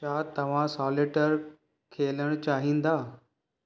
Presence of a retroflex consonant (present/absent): present